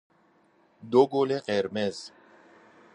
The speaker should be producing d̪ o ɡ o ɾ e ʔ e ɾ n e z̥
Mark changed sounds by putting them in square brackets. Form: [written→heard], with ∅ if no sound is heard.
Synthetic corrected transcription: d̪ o ɡ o [ɾ→l] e [ʔ→q] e ɾ [n→m] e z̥